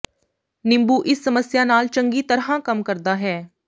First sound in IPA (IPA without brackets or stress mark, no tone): n